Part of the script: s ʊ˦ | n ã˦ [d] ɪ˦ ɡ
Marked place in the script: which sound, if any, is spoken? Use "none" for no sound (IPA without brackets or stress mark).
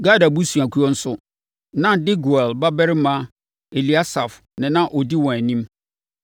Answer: d